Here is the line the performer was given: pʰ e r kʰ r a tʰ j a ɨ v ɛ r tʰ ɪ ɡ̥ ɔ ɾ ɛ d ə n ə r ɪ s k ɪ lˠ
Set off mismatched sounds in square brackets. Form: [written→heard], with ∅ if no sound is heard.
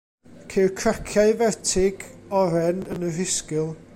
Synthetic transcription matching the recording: [pʰ→kʰ] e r kʰ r a [tʰ→kʰ] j a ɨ v ɛ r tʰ ɪ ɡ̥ ɔ ɾ ɛ [d→n] ə n ə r ɪ s k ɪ lˠ